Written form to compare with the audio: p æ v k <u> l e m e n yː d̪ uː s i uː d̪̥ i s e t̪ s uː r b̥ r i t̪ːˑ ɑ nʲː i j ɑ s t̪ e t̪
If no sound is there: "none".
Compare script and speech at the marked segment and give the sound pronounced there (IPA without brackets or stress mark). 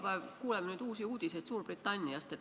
uː